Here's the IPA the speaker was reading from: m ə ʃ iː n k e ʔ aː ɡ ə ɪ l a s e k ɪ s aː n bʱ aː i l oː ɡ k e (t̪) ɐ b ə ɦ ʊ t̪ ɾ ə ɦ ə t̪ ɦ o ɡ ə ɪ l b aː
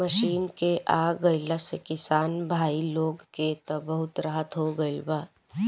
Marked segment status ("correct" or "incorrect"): correct